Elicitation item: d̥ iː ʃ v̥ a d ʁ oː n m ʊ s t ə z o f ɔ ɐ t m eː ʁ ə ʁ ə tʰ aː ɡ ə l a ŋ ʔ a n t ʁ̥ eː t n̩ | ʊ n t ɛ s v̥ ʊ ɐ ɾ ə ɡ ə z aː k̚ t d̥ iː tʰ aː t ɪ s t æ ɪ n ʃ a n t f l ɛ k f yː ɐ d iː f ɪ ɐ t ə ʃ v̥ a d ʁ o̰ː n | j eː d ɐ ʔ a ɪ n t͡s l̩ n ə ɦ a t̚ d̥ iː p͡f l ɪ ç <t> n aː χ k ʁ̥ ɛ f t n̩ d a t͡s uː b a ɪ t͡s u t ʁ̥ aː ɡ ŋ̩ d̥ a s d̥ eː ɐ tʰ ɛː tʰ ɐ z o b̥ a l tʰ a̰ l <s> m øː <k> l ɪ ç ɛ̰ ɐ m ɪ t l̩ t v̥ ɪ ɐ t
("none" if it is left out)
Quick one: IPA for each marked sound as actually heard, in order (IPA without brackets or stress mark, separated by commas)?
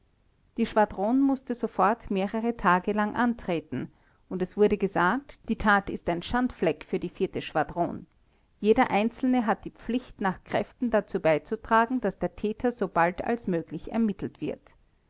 t, s, ɡ